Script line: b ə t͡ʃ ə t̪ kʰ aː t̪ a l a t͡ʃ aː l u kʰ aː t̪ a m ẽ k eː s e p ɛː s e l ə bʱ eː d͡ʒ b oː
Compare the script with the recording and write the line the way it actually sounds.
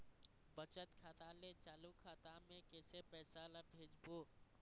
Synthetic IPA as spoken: b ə t͡ʃ ə t̪ kʰ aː t̪ a l e t͡ʃ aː l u kʰ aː t̪ a m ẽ k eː s e p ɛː s a l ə bʱ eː d͡ʒ b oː